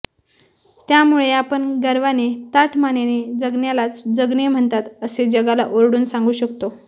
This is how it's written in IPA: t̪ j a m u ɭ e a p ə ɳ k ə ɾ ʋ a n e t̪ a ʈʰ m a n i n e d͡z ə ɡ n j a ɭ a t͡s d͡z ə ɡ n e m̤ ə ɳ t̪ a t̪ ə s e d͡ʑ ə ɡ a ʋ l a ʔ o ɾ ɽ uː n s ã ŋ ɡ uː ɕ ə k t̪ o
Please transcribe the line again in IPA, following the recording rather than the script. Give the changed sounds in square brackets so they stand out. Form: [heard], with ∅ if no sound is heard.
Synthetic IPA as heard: t̪ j a m u ɭ e a p ə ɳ [ɡ] ə ɾ ʋ a n e t̪ a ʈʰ m a n [e] n e d͡z ə ɡ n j a [l] a t͡s d͡z ə ɡ n e m̤ ə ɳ t̪ a t̪ ə s e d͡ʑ ə ɡ a [∅] l a ʔ o ɾ ɽ uː n s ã ŋ ɡ uː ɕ ə k t̪ o